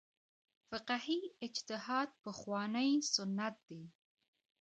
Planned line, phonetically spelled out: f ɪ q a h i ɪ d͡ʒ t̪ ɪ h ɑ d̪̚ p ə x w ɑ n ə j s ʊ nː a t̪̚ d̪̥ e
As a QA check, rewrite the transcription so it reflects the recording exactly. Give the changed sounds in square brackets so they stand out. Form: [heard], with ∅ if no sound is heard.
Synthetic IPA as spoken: f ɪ q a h i ɪ d͡ʒ t̪ ɪ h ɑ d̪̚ p ə x w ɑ n ə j s ʊ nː a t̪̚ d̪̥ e